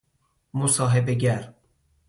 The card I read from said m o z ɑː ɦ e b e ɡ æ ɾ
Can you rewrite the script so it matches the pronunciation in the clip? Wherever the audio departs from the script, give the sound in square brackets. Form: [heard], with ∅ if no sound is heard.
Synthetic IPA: m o [s] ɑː ɦ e b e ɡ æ ɾ